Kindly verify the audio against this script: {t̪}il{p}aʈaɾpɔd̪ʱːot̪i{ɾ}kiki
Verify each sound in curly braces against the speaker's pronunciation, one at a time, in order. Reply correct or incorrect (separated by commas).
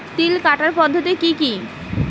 correct, incorrect, incorrect